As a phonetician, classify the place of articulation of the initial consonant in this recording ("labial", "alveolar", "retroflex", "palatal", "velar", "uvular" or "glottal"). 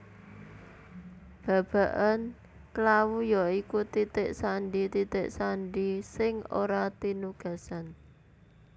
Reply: labial